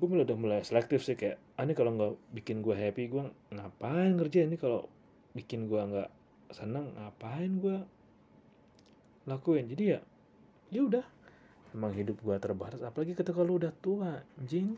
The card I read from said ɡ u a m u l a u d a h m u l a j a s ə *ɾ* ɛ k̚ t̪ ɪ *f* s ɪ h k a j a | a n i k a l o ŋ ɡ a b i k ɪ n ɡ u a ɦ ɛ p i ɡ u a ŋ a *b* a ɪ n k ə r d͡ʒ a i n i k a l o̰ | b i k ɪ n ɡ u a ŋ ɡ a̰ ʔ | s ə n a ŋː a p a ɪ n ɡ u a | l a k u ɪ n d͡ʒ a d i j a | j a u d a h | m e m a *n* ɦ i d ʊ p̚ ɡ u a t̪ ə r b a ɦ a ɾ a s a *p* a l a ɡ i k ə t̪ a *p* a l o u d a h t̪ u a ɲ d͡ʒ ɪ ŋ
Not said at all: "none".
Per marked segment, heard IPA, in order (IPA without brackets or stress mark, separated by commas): l, f, p, ŋ, p, k